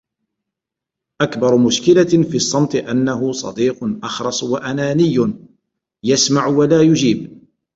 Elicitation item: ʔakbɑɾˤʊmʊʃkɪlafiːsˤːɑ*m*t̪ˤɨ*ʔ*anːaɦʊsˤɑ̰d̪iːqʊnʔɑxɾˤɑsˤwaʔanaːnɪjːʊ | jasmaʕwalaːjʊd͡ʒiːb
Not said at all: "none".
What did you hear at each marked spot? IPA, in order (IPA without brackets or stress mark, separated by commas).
m, ʔ